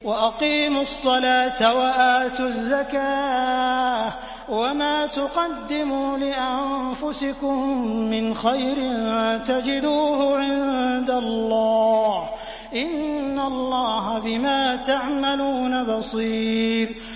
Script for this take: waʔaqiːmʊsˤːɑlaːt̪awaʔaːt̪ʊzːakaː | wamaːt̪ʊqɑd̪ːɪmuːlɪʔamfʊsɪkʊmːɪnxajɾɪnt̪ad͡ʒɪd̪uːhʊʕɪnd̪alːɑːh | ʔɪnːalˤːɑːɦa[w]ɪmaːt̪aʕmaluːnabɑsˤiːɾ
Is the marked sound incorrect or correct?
incorrect